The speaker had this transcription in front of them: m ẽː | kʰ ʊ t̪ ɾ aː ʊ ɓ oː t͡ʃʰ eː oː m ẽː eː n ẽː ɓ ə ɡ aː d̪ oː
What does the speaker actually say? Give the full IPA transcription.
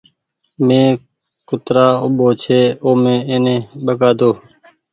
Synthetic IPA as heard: m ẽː | k ʊ t̪ ɾ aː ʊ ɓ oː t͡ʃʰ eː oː m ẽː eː n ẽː ɓ ə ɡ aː d̪ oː